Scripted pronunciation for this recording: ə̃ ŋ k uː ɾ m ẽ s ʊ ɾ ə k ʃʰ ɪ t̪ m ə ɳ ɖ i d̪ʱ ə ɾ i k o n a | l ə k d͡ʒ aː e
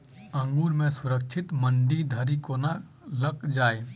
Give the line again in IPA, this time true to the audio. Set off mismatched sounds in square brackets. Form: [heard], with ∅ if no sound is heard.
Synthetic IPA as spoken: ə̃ ŋ [ɡ] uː ɾ m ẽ s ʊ ɾ ə k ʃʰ ɪ t̪ m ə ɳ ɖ i d̪ʱ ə ɾ i k o n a | l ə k d͡ʒ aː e